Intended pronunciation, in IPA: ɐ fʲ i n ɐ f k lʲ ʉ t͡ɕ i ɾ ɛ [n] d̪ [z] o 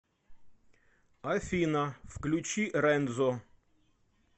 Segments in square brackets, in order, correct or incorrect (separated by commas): correct, correct